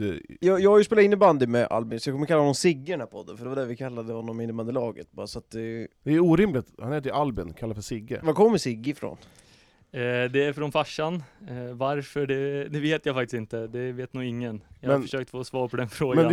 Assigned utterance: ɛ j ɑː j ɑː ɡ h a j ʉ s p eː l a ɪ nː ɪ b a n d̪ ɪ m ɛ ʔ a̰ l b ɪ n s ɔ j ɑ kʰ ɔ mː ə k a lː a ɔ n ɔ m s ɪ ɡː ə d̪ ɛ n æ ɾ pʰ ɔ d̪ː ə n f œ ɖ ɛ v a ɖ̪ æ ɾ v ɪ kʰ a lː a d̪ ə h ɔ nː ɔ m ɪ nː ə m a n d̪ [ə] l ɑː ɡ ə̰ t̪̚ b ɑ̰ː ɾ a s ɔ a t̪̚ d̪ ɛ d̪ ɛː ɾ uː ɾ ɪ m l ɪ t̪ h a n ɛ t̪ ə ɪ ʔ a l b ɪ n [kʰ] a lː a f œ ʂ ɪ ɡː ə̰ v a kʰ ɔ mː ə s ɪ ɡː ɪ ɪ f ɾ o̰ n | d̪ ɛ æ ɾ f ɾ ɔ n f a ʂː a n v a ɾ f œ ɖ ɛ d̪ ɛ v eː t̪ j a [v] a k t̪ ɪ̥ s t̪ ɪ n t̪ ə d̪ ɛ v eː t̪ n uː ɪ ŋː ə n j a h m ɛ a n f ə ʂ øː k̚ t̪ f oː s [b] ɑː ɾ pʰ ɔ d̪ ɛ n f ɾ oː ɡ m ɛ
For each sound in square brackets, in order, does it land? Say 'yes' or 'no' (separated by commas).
yes, yes, no, no